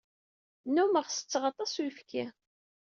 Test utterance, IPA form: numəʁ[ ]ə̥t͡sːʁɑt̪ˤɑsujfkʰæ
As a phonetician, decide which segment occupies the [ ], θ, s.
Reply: s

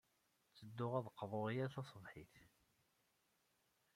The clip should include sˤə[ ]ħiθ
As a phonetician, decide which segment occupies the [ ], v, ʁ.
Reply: v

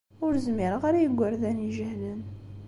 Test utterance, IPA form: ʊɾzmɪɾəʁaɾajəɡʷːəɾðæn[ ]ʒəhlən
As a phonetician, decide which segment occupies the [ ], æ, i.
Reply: i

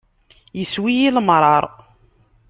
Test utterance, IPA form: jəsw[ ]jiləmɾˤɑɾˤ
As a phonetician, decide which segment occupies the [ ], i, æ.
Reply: i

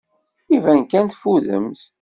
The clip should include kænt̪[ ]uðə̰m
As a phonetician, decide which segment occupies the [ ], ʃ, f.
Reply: f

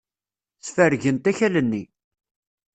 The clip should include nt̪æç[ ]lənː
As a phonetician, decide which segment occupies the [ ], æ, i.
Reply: æ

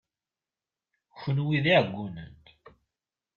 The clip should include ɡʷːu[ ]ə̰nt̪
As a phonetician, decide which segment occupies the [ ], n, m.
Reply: n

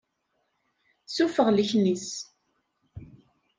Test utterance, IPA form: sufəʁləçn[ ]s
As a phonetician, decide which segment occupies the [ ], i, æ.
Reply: i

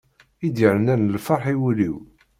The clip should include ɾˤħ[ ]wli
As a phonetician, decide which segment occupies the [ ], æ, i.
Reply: i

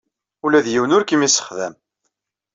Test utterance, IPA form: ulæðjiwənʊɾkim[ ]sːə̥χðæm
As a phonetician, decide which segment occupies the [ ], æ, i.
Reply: i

